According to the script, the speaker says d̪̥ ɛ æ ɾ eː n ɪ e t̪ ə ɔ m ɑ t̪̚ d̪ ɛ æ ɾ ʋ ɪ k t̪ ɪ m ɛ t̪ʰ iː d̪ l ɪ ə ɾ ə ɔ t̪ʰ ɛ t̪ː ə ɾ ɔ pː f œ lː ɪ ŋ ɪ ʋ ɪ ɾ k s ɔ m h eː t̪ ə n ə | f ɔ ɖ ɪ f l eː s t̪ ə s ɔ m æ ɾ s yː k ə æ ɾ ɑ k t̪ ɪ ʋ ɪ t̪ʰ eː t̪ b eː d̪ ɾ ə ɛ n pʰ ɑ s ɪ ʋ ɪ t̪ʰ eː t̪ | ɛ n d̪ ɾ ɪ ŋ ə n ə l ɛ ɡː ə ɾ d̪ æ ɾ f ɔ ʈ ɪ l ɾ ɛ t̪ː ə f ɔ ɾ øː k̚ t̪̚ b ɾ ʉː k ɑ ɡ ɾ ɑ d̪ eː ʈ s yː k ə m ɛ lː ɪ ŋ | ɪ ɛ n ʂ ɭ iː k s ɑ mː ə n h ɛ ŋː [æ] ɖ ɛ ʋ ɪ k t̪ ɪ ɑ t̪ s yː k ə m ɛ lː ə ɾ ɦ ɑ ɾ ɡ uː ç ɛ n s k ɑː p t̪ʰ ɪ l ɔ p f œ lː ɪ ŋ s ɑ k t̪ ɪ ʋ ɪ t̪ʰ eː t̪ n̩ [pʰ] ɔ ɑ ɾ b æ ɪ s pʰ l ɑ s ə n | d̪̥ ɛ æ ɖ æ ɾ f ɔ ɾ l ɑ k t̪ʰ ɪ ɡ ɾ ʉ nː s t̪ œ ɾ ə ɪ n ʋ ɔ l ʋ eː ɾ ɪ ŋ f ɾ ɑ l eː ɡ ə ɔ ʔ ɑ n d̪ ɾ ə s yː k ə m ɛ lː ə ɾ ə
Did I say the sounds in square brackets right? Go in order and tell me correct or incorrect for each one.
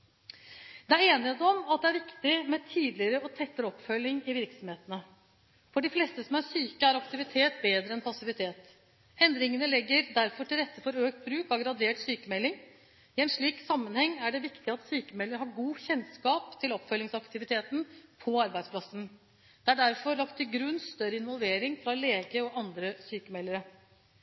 correct, correct

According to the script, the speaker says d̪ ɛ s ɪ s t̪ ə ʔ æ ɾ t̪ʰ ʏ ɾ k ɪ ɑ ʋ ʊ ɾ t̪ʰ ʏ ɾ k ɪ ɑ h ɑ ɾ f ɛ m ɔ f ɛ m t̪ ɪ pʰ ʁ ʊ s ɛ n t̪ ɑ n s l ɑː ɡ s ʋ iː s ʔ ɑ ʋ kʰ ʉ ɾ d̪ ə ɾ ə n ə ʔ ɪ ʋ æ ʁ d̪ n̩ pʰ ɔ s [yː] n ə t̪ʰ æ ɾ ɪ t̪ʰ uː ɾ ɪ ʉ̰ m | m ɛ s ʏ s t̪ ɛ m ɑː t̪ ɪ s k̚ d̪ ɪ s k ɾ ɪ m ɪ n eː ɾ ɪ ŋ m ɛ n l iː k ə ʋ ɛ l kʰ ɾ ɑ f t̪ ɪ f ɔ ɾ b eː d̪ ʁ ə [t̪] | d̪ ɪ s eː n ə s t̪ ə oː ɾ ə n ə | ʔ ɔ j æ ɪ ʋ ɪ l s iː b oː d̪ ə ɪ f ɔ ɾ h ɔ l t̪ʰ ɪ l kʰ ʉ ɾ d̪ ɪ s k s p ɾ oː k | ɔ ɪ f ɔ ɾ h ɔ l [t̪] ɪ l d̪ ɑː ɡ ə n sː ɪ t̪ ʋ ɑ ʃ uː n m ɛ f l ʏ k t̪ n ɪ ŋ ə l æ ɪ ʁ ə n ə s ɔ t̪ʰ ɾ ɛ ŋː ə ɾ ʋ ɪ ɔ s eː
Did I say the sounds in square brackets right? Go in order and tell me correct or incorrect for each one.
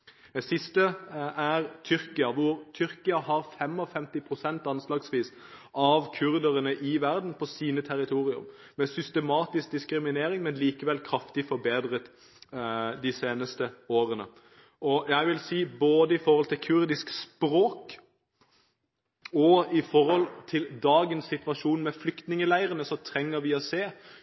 incorrect: iː, correct, incorrect: t̪ʰ

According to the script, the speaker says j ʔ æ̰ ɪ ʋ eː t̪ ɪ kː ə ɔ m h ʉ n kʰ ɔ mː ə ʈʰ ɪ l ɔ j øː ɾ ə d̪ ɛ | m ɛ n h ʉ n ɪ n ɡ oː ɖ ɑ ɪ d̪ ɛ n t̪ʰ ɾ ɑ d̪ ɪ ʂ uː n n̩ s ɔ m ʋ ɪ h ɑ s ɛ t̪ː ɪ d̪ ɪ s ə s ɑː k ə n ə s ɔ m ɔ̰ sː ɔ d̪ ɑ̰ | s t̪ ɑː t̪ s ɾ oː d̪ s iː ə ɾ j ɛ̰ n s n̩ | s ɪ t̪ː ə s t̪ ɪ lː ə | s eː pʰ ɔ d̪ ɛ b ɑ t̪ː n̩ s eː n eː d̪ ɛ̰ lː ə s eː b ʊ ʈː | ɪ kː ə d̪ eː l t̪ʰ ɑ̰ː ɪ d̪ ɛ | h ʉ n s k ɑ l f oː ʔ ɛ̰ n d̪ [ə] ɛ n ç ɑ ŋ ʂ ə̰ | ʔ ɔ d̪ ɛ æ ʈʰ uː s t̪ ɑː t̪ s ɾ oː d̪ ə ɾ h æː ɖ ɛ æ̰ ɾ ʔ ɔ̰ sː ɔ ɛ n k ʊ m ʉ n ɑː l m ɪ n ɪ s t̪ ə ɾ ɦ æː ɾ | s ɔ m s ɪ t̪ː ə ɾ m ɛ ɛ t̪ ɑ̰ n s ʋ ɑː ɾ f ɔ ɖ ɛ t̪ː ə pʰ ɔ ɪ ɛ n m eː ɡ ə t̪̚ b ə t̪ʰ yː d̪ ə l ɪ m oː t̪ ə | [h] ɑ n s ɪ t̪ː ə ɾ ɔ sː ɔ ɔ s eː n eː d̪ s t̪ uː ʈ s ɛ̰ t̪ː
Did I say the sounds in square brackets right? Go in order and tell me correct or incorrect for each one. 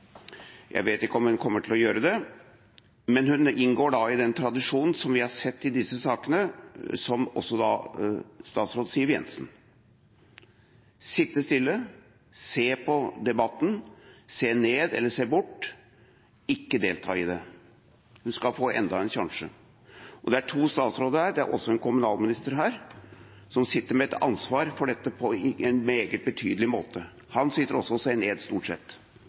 incorrect: ɑ, correct

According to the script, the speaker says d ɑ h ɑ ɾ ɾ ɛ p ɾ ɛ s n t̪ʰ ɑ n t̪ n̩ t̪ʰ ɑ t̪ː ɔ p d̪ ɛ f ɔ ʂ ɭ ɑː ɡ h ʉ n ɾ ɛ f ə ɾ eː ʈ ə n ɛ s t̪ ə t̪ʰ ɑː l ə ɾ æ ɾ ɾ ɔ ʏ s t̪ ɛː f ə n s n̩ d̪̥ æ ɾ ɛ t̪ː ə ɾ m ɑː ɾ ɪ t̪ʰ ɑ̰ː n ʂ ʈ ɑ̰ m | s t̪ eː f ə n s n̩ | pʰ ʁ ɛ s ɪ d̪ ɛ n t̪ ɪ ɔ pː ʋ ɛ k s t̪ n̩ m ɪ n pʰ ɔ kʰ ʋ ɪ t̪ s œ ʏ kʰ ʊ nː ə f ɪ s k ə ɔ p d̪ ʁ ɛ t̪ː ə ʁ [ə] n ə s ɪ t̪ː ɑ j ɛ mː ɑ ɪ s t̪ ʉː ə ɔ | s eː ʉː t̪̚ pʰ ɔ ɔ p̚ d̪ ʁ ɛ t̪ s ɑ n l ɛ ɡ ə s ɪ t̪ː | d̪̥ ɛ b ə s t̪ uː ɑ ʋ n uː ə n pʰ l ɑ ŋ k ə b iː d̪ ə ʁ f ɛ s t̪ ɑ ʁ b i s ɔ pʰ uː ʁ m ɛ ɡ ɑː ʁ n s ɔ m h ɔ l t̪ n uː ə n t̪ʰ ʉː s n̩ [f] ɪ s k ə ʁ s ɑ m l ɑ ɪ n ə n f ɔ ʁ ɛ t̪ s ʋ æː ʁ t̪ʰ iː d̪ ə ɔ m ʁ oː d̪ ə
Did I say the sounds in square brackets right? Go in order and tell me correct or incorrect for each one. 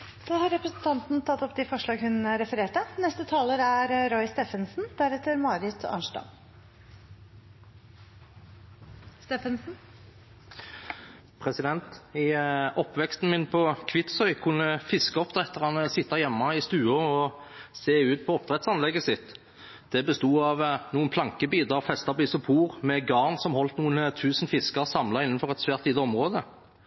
incorrect: ɑ, correct

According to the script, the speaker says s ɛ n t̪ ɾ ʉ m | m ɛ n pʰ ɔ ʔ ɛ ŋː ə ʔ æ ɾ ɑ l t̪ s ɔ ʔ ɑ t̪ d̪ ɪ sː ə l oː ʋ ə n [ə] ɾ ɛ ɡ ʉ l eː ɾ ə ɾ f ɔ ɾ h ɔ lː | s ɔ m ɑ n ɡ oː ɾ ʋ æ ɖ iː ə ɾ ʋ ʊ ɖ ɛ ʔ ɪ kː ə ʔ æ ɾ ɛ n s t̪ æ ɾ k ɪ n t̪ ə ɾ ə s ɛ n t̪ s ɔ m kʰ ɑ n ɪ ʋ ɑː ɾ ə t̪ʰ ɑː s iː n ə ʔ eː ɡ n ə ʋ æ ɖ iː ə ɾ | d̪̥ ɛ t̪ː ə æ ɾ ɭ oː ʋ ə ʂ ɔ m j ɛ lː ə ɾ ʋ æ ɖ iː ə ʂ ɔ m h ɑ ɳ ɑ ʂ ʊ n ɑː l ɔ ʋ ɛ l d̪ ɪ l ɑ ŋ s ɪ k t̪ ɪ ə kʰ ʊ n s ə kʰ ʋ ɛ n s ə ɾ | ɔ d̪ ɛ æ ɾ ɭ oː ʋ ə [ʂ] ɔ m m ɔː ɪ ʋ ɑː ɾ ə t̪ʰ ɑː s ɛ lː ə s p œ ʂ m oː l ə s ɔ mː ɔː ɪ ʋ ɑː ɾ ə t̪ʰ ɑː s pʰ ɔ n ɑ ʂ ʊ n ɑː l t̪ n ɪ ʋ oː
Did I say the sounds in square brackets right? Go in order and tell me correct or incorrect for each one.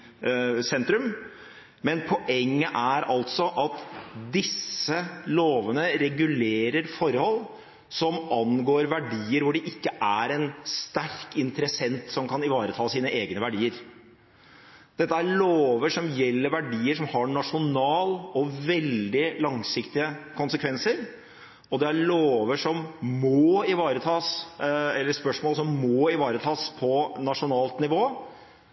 correct, correct

